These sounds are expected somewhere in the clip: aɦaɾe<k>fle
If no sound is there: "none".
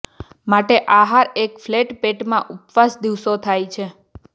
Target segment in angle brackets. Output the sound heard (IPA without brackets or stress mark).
k